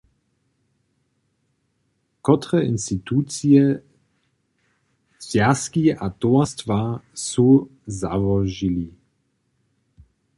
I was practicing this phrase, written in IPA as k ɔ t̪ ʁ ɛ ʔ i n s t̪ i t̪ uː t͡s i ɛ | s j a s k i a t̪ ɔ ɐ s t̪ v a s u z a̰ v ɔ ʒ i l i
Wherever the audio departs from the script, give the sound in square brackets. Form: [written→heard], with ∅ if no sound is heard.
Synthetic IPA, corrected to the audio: k ɔ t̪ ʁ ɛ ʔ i n s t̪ i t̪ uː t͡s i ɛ | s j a s k i a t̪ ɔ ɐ s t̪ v a s u z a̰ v ɔ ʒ i l i